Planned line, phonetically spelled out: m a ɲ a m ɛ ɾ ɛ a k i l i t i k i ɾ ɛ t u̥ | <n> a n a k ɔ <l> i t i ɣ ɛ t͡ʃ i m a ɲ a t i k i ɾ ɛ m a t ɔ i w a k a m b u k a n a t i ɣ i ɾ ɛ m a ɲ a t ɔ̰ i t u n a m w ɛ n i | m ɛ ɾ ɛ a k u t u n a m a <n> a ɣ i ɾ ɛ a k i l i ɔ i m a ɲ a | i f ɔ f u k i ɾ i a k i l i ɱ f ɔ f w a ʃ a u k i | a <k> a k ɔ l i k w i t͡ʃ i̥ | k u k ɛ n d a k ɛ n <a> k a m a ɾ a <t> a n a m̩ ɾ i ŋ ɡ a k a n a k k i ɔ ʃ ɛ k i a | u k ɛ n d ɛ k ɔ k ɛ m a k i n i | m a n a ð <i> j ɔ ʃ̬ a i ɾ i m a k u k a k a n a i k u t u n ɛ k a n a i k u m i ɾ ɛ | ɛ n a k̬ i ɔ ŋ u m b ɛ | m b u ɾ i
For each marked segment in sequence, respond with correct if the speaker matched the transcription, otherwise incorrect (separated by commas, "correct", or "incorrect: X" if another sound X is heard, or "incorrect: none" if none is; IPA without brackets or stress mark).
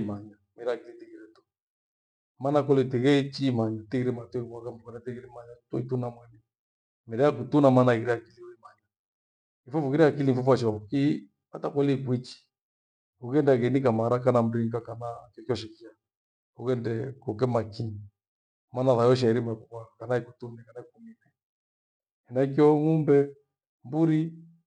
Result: incorrect: m, correct, correct, incorrect: t, incorrect: i, incorrect: k, incorrect: a